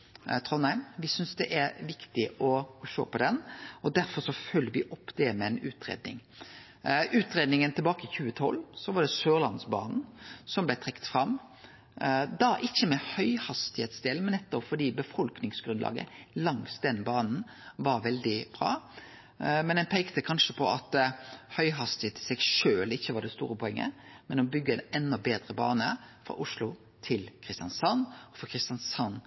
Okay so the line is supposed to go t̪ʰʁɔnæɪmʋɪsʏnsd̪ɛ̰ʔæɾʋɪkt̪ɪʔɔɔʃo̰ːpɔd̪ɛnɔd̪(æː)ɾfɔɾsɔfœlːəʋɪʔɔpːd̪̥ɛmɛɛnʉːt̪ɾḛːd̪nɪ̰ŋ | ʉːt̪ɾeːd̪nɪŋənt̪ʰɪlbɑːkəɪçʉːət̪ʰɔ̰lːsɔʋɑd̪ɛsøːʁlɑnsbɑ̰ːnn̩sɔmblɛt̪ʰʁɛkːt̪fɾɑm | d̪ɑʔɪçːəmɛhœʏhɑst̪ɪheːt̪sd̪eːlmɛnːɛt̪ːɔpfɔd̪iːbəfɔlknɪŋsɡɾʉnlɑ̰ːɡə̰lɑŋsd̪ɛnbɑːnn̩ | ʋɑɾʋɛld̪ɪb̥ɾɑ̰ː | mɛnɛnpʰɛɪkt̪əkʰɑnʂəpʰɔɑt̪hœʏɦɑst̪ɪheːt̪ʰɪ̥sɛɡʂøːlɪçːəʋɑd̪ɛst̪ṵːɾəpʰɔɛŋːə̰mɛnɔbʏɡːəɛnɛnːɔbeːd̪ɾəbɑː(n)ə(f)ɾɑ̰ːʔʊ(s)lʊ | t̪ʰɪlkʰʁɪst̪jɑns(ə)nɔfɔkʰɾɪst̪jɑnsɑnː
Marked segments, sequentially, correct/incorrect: incorrect, correct, correct, incorrect, incorrect

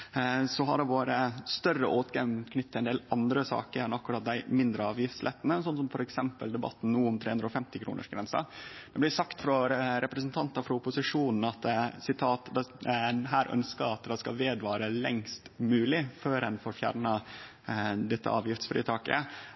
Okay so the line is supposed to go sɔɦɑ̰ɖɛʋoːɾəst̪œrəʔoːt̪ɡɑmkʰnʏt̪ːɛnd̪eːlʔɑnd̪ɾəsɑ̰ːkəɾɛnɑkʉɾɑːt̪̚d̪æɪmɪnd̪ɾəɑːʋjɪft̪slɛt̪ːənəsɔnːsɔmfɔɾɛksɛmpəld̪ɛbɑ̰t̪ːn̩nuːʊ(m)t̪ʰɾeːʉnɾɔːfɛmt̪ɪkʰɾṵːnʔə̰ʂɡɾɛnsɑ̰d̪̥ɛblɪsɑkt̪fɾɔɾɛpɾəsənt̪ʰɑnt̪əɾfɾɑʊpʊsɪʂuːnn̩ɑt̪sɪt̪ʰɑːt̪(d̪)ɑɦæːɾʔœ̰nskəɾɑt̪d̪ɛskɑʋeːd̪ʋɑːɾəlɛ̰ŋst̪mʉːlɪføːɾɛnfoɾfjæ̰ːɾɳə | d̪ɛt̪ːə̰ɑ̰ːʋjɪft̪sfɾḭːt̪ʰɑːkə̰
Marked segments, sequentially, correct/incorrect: correct, correct

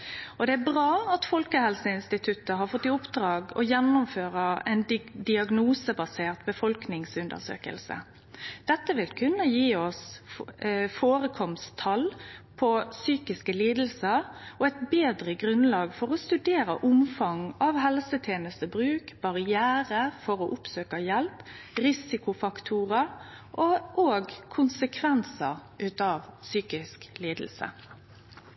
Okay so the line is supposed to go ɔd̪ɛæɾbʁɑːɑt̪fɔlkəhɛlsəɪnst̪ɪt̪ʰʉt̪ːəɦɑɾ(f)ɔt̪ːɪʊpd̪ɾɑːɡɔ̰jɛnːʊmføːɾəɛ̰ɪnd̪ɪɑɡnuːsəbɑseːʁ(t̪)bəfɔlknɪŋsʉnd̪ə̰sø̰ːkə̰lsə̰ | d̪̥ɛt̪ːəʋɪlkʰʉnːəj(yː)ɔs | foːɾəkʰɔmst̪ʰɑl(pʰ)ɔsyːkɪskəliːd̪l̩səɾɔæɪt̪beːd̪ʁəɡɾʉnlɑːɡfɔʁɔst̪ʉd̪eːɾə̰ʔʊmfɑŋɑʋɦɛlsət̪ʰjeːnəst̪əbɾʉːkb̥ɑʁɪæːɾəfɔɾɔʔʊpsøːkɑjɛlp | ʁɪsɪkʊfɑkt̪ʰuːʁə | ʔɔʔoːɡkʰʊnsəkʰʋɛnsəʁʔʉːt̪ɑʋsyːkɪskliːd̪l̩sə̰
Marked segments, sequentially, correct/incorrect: correct, correct, incorrect, correct

